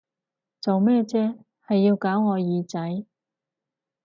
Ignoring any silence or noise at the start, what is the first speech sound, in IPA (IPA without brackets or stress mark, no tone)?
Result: t͡s